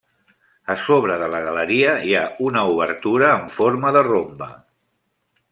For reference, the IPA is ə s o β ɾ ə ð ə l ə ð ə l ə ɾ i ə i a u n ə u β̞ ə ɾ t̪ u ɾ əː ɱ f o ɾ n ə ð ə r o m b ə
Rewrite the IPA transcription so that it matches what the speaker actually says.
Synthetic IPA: ə s o β ɾ ə ð ə l ə ɣ ə l ə ɾ i ə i a u n ə u β̞ ə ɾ t̪ u ɾ əː ɱ f o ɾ m ə ð ə r o m b ə